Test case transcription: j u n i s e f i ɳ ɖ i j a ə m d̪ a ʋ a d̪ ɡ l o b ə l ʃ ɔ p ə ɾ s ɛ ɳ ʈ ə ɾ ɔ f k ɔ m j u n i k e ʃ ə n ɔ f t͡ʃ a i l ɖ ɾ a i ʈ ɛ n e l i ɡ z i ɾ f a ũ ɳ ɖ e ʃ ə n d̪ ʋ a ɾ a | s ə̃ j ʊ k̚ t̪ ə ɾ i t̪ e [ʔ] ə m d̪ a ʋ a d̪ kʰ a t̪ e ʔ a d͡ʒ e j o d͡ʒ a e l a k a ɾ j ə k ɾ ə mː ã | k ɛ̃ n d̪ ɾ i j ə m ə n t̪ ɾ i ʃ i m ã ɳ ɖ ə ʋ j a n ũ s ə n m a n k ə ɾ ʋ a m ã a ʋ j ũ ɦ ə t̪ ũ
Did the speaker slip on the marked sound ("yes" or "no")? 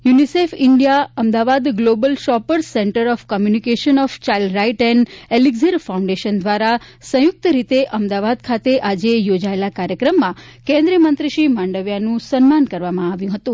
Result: no